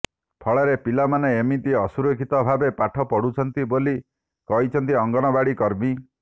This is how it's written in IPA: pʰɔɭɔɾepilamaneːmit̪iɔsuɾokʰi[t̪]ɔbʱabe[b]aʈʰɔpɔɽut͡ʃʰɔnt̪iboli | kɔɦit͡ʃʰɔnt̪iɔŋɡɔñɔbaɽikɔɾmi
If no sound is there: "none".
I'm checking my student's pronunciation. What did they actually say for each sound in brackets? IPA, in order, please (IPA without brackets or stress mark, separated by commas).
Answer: t̪, p